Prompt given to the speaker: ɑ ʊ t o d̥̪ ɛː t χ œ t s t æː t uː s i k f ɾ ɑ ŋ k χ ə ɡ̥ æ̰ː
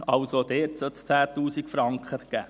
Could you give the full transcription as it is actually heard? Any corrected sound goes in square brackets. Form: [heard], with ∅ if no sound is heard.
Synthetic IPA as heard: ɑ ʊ [s] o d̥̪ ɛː t [s] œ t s [t͡s] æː t uː s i k f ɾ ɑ ŋ k χ ə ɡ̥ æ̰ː